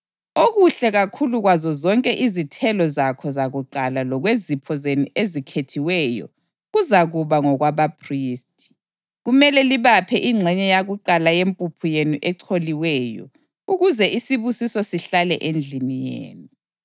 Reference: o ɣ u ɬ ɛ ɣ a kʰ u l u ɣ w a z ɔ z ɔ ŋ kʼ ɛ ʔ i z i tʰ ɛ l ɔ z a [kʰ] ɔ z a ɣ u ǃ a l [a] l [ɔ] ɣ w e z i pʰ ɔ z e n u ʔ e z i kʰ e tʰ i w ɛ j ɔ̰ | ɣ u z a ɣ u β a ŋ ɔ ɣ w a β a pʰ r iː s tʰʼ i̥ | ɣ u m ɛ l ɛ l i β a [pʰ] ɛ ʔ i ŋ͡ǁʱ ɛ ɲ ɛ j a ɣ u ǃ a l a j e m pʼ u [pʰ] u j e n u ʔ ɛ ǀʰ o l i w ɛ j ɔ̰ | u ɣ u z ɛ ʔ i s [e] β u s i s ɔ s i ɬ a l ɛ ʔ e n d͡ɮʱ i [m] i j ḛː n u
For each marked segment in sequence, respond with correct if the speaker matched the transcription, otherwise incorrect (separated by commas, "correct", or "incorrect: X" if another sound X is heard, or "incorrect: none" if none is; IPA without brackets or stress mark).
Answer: correct, correct, correct, correct, correct, incorrect: i, incorrect: n